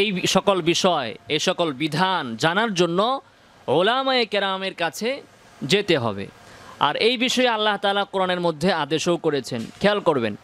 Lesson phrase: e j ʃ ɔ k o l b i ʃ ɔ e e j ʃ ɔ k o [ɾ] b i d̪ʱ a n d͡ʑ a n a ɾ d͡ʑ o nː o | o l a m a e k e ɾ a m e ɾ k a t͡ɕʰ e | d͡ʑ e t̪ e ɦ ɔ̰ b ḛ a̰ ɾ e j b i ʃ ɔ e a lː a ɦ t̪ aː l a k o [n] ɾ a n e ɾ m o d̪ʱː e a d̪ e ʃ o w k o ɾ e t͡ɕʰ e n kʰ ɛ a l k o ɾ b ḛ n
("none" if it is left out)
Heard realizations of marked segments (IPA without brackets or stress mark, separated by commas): l, none